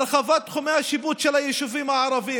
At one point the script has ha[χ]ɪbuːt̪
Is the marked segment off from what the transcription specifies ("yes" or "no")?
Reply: yes